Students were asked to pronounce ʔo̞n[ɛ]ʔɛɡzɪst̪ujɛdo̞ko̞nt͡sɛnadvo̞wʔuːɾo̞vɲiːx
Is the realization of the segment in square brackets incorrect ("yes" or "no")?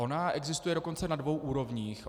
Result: yes